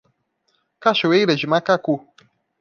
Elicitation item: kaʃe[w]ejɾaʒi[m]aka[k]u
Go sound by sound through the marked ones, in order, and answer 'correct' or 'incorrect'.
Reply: correct, correct, correct

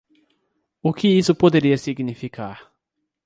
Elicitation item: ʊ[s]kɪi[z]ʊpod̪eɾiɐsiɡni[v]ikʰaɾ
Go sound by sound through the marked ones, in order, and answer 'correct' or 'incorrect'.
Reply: incorrect: none, incorrect: s, incorrect: f

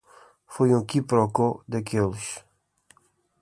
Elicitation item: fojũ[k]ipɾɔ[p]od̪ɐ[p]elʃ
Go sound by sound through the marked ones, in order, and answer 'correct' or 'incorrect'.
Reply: correct, incorrect: k, incorrect: k

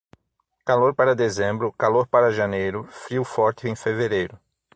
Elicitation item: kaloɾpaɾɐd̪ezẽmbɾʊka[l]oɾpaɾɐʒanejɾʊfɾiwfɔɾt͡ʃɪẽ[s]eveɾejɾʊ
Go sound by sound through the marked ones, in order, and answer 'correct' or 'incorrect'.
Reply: correct, incorrect: f

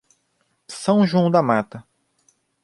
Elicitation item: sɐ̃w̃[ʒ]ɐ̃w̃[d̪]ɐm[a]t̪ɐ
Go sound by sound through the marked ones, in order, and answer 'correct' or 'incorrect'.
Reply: correct, correct, correct

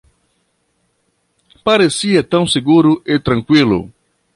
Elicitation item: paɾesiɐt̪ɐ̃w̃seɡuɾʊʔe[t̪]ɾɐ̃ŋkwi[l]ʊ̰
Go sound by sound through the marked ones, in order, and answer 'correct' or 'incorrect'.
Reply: correct, correct

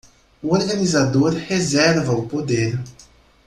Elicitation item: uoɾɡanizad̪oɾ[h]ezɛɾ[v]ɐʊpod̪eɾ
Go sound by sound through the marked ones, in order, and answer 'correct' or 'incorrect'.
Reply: correct, correct

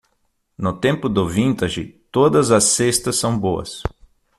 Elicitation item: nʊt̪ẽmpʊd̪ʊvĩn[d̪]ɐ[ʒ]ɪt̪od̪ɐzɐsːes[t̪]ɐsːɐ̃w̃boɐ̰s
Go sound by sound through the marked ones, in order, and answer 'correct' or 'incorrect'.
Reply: incorrect: t̪, correct, correct

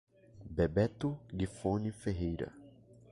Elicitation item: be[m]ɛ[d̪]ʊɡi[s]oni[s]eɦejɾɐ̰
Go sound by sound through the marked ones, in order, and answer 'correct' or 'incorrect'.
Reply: incorrect: b, incorrect: t̪, incorrect: f, incorrect: f

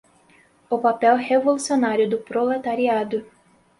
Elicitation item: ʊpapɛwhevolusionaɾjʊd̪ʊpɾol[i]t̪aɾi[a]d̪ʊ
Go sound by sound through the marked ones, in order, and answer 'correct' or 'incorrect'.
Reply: incorrect: e, correct

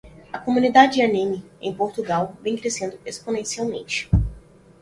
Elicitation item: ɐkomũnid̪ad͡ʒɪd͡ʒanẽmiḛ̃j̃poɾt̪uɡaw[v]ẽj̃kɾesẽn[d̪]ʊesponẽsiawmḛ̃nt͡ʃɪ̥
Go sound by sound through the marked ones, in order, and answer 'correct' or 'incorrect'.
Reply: correct, correct

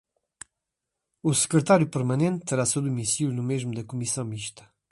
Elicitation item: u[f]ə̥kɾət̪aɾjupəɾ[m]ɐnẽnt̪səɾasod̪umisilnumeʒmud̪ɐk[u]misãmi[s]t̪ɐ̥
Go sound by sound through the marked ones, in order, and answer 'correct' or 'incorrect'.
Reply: incorrect: s, correct, correct, incorrect: ʃ

